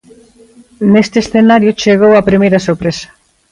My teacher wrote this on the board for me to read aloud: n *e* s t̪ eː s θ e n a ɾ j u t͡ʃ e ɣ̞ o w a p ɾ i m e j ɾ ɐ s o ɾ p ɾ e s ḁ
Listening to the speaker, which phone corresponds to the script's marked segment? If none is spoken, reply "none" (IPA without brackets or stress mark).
e